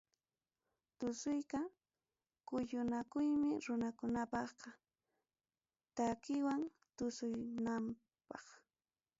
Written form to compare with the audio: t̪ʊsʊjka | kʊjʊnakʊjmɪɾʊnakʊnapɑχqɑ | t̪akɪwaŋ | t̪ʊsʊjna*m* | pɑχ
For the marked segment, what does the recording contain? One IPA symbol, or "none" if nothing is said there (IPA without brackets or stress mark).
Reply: m